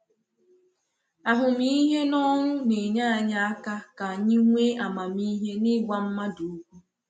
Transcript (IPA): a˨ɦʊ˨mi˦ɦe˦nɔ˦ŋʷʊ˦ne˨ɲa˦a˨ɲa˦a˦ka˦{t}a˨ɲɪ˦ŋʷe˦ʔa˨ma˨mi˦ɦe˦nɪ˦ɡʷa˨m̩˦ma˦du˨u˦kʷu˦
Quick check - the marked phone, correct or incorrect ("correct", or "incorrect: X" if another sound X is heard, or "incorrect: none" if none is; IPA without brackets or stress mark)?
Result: incorrect: k